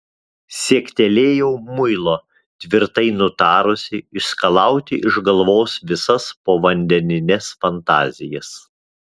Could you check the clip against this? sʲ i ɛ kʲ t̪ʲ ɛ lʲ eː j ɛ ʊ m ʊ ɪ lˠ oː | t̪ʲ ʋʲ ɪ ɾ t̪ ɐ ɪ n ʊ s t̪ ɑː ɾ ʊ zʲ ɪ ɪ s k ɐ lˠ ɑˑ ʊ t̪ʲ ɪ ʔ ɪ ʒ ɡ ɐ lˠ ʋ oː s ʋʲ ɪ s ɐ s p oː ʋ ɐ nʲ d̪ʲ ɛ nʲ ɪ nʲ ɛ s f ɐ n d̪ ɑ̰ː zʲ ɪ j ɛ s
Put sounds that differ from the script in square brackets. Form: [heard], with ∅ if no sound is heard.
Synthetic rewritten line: sʲ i ɛ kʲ t̪ʲ ɛ lʲ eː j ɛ ʊ m ʊ ɪ lˠ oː | t̪ʲ ʋʲ ɪ ɾ t̪ ɐ ɪ n ʊ [∅] t̪ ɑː ɾ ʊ [sʲ] ɪ ɪ s k ɐ lˠ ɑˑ ʊ t̪ʲ ɪ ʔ ɪ ʒ ɡ ɐ lˠ ʋ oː s ʋʲ ɪ s ɐ s p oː ʋ ɐ nʲ d̪ʲ ɛ nʲ ɪ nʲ ɛ s f ɐ n [t̪] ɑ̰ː zʲ ɪ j ɛ s